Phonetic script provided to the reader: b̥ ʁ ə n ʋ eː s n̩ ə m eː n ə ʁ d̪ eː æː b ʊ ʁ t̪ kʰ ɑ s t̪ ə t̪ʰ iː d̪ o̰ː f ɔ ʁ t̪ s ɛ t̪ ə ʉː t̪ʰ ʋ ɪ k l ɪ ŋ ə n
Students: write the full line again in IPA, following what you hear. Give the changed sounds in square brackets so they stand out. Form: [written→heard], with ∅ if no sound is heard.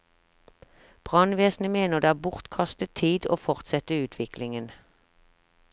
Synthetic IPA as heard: b̥ ʁ [ə→ɑ] n ʋ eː s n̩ ə m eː n ə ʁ d̪ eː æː b ʊ ʁ t̪ kʰ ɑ s t̪ ə t̪ʰ iː d̪ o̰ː f ɔ ʁ t̪ s ɛ t̪ ə ʉː t̪ʰ ʋ ɪ k l ɪ ŋ ə n

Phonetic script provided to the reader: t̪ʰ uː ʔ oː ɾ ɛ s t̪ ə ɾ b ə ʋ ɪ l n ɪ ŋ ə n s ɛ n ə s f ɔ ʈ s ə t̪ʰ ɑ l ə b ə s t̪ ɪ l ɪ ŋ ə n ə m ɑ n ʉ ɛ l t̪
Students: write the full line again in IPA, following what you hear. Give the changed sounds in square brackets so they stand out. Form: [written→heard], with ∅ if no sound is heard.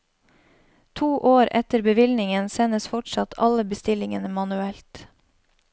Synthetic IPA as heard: t̪ʰ uː ʔ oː ɾ ɛ [s→∅] t̪ ə ɾ b ə ʋ ɪ l n ɪ ŋ ə n s ɛ n ə s f ɔ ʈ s [ə→ɑ] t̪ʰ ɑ l ə b ə s t̪ ɪ l ɪ ŋ ə n ə m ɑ n ʉ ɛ l t̪

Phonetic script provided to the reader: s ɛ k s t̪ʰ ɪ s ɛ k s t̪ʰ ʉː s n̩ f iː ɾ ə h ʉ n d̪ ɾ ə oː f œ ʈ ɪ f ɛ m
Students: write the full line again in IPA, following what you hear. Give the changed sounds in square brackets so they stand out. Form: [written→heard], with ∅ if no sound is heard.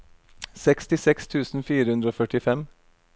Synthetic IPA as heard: s ɛ k s [t̪ʰ→t̪] ɪ s ɛ k s t̪ʰ ʉː s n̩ f iː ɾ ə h ʉ n d̪ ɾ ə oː f œ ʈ ɪ f ɛ m

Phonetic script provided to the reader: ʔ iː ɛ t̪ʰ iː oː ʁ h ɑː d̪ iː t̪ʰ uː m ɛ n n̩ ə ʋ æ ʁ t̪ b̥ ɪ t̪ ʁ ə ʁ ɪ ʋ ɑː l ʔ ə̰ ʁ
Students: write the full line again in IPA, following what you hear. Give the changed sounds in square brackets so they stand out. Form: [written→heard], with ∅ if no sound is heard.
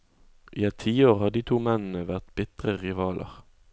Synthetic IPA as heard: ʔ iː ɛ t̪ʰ iː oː ʁ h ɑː d̪ iː t̪ʰ uː m ɛ n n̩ ə ʋ æ ʁ t̪ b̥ ɪ t̪ ʁ ə ʁ ɪ ʋ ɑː l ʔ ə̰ ʁ

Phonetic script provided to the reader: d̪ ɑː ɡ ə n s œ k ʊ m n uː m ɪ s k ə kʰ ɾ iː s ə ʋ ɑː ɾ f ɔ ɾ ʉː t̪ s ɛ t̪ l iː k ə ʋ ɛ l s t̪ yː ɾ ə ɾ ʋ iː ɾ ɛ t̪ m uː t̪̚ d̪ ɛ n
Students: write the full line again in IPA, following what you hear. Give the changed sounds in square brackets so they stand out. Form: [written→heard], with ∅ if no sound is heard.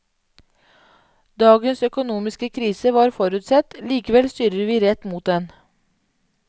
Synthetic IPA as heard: d̪ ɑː ɡ ə n s œ k ʊ [m→∅] n uː m ɪ s k ə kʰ ɾ iː s ə ʋ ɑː ɾ f ɔ ɾ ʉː t̪ s ɛ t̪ l iː k ə ʋ ɛ l s t̪ yː ɾ ə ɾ ʋ iː ɾ ɛ t̪ m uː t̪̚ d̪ ɛ n

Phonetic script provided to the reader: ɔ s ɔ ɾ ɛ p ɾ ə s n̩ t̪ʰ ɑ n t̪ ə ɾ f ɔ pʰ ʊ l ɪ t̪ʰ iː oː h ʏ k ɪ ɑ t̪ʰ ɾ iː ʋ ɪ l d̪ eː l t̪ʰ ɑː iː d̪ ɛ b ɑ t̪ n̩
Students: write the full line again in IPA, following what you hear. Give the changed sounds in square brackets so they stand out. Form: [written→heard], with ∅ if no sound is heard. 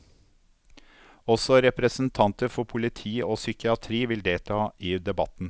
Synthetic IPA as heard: ɔ s ɔ ɾ ɛ p ɾ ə s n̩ t̪ʰ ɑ n t̪ ə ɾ f ɔ pʰ ʊ l ɪ t̪ʰ iː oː [h→s] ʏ k ɪ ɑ t̪ʰ ɾ iː ʋ ɪ l d̪ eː l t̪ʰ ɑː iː d̪ ɛ b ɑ t̪ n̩

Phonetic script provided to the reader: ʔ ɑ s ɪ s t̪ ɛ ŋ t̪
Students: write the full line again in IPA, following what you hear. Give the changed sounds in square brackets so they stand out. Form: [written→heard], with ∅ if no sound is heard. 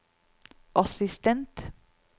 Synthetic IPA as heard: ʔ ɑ s ɪ s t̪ ɛ [ŋ→n] t̪

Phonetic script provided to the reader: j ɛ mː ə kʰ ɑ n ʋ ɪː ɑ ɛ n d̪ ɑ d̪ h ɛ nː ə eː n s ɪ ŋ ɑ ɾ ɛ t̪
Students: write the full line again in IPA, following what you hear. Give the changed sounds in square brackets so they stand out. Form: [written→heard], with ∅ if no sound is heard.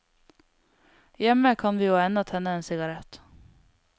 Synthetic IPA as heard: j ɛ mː ə kʰ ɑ n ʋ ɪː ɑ ɛ n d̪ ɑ [d̪→t̪] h ɛ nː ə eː n s ɪ [ŋ→ɡ] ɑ ɾ ɛ t̪

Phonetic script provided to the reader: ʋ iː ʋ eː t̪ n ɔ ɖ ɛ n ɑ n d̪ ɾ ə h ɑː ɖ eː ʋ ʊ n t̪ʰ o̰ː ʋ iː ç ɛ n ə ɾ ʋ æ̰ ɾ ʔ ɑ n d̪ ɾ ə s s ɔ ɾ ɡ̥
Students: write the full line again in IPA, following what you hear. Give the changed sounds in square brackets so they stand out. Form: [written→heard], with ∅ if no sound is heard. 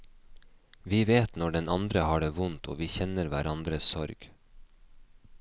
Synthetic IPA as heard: ʋ iː ʋ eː t̪ n ɔ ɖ ɛ n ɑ n d̪ ɾ ə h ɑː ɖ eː ʋ ʊ n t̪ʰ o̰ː ʋ iː ç ɛ n ə ɾ ʋ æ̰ ɾ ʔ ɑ n d̪ ɾ ə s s ɔ ɾ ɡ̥

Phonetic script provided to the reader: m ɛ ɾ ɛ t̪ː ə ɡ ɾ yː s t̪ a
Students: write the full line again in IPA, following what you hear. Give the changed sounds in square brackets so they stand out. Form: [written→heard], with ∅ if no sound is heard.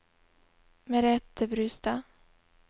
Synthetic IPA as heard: m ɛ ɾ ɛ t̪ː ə [ɡ→b] ɾ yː s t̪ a

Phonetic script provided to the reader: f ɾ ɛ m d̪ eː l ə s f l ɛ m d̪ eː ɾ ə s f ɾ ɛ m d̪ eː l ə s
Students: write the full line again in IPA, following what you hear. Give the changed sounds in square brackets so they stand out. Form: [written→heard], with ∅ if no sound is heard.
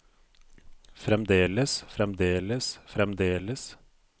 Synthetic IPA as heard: f ɾ ɛ m d̪ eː l ə s f [l→ɾ] ɛ m d̪ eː [ɾ→l] ə s f ɾ ɛ m d̪ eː l ə s

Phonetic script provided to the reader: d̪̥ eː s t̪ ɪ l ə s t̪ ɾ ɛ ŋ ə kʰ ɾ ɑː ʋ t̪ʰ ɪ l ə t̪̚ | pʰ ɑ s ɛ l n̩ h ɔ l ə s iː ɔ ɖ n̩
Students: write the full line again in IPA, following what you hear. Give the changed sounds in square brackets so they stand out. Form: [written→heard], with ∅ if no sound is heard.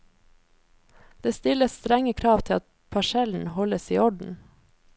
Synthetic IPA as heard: d̪̥ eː s t̪ ɪ l ə s t̪ ɾ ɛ ŋ ə kʰ ɾ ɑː ʋ t̪ʰ ɪ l [ə→ɑ] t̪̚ | pʰ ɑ [s→ʃ] ɛ l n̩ h ɔ l ə s iː ɔ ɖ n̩

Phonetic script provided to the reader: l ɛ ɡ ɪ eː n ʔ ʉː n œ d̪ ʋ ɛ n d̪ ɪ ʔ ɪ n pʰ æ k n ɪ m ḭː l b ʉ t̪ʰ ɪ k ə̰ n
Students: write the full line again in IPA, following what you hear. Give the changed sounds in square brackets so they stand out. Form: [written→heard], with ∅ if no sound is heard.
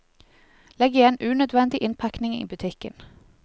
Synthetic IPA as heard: l ɛ ɡ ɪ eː n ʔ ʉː n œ d̪ ʋ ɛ n d̪ ɪ ʔ ɪ n pʰ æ k n ɪ [m→ŋ] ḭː [l→∅] b ʉ t̪ʰ ɪ k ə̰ n

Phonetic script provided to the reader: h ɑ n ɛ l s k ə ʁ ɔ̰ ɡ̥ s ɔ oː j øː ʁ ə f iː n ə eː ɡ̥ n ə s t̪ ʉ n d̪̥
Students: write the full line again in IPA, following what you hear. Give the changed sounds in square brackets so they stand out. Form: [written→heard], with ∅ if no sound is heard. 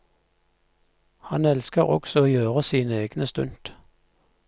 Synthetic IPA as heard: h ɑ n ɛ l s k ə ʁ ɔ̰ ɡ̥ s ɔ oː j øː ʁ ə [f→s] iː n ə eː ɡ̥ n ə s t̪ ʉ n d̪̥

